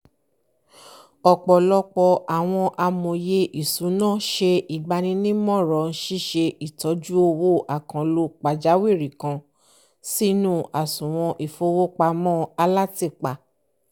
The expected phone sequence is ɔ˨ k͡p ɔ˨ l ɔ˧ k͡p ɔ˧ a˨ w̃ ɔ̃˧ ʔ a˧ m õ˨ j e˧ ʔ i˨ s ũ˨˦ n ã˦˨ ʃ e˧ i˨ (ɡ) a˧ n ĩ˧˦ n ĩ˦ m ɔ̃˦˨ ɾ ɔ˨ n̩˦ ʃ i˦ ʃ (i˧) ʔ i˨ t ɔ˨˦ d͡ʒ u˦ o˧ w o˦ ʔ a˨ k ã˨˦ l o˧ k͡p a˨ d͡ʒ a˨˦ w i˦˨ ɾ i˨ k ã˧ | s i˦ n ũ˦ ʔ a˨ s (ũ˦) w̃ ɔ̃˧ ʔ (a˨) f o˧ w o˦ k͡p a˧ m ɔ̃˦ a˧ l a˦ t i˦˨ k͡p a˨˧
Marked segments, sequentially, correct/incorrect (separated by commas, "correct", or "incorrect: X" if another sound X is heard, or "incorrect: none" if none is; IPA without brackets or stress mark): incorrect: ɡ͡b, incorrect: e˧, incorrect: ũ˨, incorrect: i˨